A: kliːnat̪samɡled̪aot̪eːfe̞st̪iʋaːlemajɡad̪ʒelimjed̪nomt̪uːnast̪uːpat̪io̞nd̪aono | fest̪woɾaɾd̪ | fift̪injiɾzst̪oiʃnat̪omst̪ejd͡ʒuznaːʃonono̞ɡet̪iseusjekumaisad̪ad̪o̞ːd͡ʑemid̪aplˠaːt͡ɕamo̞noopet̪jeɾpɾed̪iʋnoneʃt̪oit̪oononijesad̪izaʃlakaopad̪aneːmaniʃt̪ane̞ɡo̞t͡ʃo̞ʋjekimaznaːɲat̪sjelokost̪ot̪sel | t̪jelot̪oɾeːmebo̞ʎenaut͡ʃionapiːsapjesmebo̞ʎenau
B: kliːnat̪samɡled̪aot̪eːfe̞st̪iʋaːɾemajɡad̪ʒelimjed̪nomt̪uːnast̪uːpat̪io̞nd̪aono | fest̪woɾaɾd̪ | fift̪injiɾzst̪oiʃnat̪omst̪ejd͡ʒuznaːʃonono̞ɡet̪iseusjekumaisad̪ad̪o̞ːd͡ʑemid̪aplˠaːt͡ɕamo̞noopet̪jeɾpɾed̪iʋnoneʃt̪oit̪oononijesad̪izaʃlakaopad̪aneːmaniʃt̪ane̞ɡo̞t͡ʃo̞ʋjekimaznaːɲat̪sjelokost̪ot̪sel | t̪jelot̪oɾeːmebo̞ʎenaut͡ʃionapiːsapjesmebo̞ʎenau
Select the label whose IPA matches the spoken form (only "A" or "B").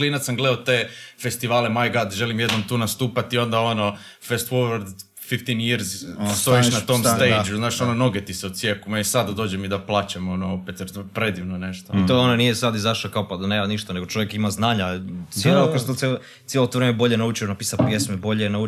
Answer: A